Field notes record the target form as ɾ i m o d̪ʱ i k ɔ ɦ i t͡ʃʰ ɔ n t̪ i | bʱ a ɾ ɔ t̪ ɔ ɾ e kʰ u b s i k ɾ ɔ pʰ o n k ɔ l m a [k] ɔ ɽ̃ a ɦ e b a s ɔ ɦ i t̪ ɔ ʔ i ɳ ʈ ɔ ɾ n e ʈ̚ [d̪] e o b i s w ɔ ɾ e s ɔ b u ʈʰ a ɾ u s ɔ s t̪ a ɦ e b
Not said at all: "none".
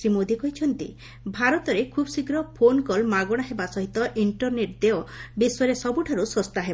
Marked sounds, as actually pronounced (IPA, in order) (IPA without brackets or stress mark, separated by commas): ɡ, d̪